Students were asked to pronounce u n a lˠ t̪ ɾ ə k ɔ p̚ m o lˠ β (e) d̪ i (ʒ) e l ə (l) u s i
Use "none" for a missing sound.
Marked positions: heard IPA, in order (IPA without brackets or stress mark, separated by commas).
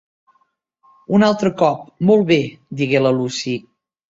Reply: e, ɣ, l